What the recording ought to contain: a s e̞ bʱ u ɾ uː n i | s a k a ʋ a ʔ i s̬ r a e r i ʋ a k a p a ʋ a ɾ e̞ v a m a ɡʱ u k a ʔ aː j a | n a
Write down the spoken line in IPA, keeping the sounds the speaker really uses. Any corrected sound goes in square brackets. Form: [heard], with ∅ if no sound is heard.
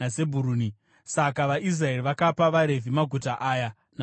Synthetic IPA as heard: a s e̞ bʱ u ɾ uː n i | s a k a ʋ a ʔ i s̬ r a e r i ʋ a k a p a ʋ a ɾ e̞ v [i] m a ɡʱ u [t] a ʔ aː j a | n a